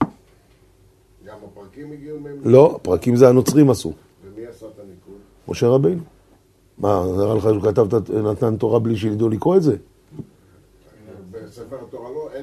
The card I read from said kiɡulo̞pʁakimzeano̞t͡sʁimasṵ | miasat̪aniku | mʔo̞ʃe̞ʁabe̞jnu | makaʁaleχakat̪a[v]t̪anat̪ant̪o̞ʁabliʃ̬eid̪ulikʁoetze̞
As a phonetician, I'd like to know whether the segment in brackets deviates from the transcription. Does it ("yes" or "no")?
no